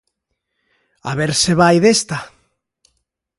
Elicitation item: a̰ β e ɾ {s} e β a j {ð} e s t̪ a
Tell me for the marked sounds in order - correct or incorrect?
correct, correct

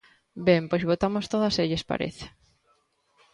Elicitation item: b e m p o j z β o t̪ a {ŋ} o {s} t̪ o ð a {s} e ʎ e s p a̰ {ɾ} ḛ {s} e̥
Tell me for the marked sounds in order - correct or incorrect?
incorrect: m, correct, correct, correct, incorrect: θ

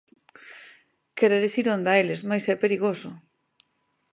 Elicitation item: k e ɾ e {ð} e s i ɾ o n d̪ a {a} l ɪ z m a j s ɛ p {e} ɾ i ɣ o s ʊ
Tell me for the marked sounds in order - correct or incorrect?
correct, incorrect: e, correct

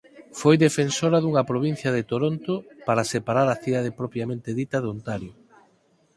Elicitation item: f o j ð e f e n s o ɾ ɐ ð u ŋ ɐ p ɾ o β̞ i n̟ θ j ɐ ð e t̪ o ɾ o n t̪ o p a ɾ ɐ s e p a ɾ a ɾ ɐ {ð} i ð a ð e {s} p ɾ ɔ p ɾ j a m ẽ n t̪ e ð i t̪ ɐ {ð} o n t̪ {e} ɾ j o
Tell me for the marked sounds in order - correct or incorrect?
incorrect: θ, incorrect: none, correct, incorrect: a

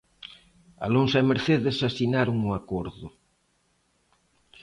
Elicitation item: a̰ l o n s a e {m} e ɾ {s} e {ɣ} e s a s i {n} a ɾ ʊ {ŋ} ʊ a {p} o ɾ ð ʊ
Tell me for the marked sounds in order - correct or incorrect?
correct, incorrect: θ, incorrect: ð, correct, correct, incorrect: k

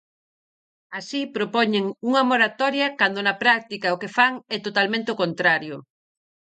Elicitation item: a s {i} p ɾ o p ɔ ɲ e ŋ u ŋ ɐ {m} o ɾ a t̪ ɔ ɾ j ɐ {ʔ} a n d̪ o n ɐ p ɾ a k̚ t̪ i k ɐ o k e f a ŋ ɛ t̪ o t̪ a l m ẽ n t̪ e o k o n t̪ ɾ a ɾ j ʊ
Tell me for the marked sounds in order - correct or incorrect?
correct, correct, incorrect: k

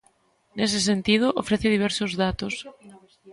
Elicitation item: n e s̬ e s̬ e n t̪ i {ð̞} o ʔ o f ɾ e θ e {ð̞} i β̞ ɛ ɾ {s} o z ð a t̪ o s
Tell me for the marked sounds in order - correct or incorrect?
correct, correct, correct

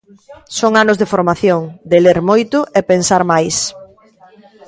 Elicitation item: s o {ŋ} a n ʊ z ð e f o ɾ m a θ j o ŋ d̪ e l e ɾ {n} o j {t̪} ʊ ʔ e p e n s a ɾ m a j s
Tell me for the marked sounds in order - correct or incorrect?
correct, incorrect: m, correct

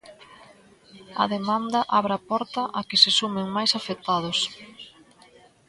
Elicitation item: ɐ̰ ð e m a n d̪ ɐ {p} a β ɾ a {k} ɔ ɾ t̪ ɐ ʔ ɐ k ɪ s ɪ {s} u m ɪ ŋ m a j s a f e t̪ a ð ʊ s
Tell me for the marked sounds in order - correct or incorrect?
incorrect: ʔ, incorrect: p, correct

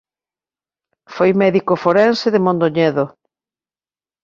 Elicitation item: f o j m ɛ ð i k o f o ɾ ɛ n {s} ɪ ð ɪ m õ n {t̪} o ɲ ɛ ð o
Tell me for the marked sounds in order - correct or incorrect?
correct, incorrect: d̪

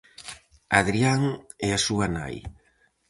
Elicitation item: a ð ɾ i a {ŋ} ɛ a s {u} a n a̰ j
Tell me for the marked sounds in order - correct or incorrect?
correct, correct

